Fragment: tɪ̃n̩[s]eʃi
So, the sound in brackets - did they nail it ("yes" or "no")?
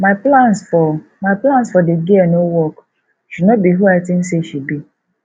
yes